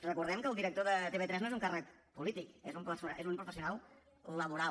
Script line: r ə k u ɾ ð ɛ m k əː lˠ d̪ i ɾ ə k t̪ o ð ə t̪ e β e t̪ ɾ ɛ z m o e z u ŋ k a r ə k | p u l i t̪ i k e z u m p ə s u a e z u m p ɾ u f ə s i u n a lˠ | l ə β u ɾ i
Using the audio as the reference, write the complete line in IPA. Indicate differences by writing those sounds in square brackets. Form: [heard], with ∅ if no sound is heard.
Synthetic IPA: r ə k u ɾ ð ɛ m k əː lˠ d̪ i ɾ ə k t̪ o ð ə t̪ e β e t̪ ɾ ɛ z [n] o e z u ŋ k a r ə k | p u l i t̪ i k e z u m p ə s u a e z u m p ɾ u f ə s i u n a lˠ | l ə β u ɾ [a]